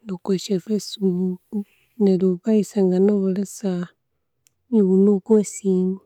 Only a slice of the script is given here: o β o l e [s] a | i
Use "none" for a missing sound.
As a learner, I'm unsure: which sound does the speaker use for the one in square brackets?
s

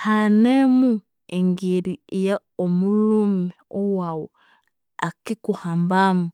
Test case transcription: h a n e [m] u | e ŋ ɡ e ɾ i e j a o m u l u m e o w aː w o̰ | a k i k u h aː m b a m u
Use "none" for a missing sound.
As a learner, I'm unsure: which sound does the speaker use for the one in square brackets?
m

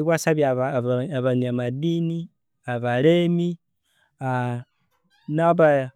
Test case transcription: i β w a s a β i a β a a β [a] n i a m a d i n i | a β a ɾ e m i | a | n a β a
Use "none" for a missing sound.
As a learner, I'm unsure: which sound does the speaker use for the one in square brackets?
a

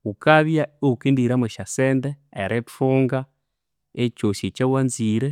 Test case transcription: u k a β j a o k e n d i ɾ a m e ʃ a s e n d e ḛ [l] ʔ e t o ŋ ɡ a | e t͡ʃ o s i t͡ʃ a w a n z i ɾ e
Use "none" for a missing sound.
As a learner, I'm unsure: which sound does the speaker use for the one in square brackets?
ɾ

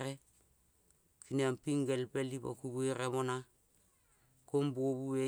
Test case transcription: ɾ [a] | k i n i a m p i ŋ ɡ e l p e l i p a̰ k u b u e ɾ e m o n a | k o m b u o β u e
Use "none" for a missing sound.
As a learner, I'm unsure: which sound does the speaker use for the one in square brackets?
e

